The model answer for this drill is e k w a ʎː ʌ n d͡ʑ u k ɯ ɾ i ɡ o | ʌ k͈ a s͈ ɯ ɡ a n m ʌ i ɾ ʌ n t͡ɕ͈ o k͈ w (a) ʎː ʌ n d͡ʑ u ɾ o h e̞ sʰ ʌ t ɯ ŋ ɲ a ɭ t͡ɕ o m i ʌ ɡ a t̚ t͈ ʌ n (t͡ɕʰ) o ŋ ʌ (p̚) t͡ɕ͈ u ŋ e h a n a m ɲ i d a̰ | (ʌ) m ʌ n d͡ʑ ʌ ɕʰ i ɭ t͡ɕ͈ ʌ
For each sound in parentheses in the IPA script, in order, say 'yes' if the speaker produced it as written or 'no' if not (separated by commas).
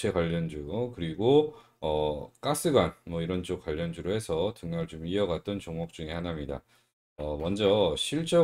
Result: yes, no, no, yes